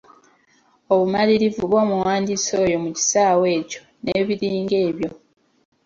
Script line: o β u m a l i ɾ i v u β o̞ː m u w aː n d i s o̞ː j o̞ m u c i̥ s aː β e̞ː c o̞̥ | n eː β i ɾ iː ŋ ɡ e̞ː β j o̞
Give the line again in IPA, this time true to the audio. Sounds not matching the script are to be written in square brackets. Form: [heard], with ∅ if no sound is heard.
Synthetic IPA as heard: o β u m a l i ɾ i v u β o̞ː m u w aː n d i s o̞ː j o̞ m u c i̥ s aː [w] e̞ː c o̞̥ | n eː β i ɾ iː ŋ ɡ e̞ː β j o̞